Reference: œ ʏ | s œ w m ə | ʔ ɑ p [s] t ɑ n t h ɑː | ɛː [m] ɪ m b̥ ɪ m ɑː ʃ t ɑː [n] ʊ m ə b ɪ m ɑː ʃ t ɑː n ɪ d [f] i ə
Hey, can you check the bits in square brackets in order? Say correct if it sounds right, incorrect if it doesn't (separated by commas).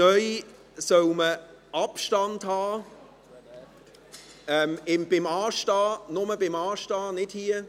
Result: incorrect, correct, correct, incorrect